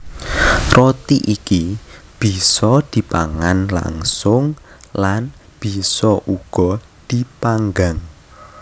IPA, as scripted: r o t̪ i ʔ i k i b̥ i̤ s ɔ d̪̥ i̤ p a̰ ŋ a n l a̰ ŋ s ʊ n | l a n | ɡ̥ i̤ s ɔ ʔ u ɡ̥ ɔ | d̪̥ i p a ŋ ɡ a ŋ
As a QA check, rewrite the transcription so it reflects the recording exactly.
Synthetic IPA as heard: r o t̪ i ʔ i k i b̥ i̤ s ɔ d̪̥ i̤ p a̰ ŋ a n l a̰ ŋ s ʊ ŋ | l a n | b̥ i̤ s ɔ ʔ u ɡ̥ ɔ | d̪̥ i p a ŋ ɡ a ŋ

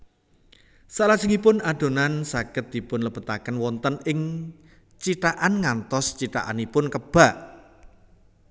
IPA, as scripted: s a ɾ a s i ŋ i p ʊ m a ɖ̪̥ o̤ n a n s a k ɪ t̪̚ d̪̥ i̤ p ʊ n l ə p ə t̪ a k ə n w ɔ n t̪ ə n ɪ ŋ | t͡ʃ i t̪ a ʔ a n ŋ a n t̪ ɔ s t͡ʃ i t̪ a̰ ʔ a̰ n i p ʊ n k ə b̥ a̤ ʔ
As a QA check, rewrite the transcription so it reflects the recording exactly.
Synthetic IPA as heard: s a l a s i ŋ i p ʊ n a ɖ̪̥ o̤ n a n s a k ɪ t̪̚ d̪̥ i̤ p ʊ n l ə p ə t̪ a k ə n w ɔ n t̪ ə n ɪ ŋ | t͡ʃ i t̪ a ʔ a n ŋ a n t̪ ɔ s t͡ʃ i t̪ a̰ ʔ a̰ n i p ʊ n k ə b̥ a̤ ʔ

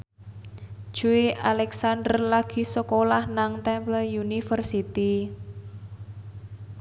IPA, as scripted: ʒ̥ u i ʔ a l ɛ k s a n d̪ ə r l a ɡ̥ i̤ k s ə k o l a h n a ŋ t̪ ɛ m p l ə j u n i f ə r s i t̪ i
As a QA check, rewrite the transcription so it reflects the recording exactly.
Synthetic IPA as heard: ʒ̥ u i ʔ a l ɛ k s a n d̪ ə r l a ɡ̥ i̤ s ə k o l a h n a ŋ t̪ ɛ m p l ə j u n i f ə r s i t̪ i

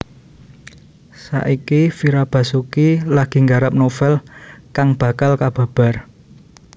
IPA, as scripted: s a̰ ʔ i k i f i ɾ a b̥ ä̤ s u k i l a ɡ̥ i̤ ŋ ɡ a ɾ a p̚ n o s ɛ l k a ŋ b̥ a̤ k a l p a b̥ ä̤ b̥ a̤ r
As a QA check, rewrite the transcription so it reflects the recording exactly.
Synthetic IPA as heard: s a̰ ʔ i k i f i ɾ a b̥ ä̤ s u k i l a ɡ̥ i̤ ŋ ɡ a ɾ a p̚ n o f ɛ l k a ŋ b̥ a̤ k a l k a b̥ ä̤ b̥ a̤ r

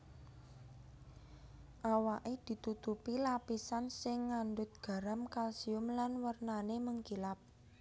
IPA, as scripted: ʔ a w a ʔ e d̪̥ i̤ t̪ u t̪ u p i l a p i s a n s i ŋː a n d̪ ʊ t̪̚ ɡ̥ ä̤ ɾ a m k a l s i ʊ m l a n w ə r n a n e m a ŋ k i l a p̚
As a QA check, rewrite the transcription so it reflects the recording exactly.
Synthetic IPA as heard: ʔ a w a ʔ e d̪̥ i̤ t̪ u t̪ u p i l a p i s a n s ɪ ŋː a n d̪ ʊ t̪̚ ɡ̥ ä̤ ɾ a m k a l s i ʊ m l a n w ə r n a n e m ə ŋ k i l a p̚

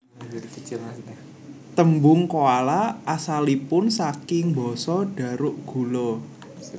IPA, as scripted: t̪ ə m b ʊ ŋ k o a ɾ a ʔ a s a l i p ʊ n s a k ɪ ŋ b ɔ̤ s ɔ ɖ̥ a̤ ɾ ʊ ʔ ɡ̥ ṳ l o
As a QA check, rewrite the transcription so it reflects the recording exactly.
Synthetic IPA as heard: t̪ ə m b ʊ ŋ k o a l a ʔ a s a l i p ʊ n s a k ɪ ŋ b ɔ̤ s ɔ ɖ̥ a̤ ɾ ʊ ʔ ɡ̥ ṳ l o

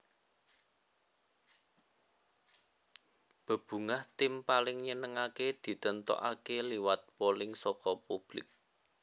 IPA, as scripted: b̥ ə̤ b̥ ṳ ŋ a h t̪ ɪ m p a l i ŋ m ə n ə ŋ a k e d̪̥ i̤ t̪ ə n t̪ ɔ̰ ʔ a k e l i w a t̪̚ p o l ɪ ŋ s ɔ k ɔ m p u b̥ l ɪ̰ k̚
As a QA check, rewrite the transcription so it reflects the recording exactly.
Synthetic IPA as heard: b̥ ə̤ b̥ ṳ ŋ a h t̪ ɪ m p a l ɪ ŋ ɲ ə n ə ŋ a k e d̪̥ i̤ t̪ ə n t̪ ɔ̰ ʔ a k e l i w a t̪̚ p o l ɪ ŋ s ɔ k ɔ p u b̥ l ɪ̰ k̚

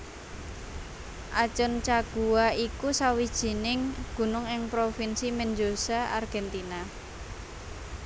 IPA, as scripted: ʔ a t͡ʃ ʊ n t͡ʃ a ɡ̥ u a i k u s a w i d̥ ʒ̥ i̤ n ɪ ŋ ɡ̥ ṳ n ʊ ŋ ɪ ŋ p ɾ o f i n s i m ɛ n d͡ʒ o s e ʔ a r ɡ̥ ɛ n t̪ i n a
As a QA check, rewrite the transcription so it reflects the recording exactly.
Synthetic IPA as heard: ʔ a t͡ʃ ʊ n t͡ʃ a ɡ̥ u a i k u s a w i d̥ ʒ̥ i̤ n ɪ ŋ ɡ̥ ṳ n ʊ ŋ ɪ ŋ p ɾ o f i n s i m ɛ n d͡ʒ o s a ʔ a r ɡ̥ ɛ n t̪ i n a

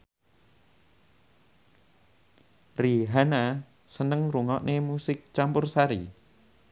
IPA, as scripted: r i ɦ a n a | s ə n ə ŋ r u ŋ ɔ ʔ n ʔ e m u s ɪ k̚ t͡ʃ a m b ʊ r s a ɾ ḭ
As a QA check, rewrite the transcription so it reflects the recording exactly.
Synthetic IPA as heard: r i ɦ a n a | s ə n ə ŋ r u ŋ ɔ ʔ n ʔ e m u s ɪ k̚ t͡ʃ a m p ʊ r s a ɾ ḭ

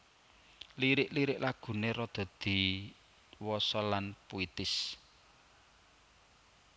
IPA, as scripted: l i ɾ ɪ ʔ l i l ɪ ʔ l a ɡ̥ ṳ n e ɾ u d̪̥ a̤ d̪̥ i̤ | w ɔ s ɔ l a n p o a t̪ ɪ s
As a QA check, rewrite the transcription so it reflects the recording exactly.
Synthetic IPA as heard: l i ɾ ɪ ʔ l i ɾ ɪ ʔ l a ɡ̥ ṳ n e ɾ ɔ d̪̥ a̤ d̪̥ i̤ | w ɔ s ɔ l a n p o i t̪ ɪ s

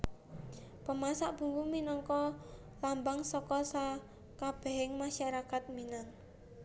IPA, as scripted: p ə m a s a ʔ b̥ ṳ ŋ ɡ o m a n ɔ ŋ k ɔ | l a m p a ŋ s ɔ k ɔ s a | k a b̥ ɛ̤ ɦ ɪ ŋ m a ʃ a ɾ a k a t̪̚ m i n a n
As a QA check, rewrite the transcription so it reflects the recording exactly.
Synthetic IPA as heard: p ə m a s a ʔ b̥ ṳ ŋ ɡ u m i n ɔ ŋ k ɔ | l a m b a ŋ s ɔ k ɔ s a | k a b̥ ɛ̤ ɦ ɪ ŋ m a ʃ a ɾ a k a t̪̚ m i n a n

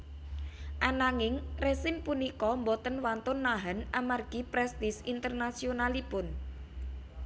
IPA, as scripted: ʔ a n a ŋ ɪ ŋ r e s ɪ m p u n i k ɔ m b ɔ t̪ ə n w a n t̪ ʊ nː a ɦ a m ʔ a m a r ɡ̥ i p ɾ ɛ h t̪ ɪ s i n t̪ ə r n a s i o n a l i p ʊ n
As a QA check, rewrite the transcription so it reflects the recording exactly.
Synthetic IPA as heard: ʔ a n a ŋ ɪ ŋ r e s ɪ m p u n i k ɔ m b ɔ t̪ ə n w a n t̪ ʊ nː a ɦ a n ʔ a m a r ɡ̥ i p ɾ ɛ s t̪ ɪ s i n t̪ ə r n a s i o n a l i p ʊ n

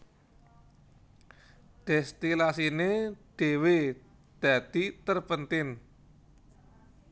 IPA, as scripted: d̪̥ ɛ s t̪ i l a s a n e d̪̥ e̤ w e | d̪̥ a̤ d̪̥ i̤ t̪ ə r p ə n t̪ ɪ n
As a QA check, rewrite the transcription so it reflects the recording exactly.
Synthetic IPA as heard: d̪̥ ɛ s t̪ i l a s i n e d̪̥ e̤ w e | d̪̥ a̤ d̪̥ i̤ t̪ ə r p ə n t̪ ɪ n

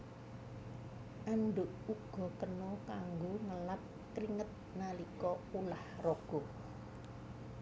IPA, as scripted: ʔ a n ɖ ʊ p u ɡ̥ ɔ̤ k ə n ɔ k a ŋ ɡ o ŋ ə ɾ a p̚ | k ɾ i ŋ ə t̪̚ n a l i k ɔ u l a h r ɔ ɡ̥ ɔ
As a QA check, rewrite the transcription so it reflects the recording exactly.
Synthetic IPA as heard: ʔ a n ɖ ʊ ʔ u ɡ̥ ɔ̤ k ə n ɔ k a ŋ ɡ o ŋ ə l a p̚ | k ɾ i ŋ ə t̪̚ n a l i k ɔ u l a h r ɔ ɡ̥ ɔ

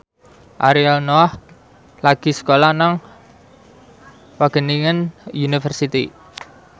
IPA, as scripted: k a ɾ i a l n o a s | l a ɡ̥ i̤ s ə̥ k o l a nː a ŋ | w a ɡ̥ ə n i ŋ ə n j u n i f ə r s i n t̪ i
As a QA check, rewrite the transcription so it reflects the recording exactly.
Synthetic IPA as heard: ʔ a ɾ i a l n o a h | l a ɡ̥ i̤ s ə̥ k o l a n a ŋ | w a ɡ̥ ə n i ŋ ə n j u n i f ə r s i t̪ i

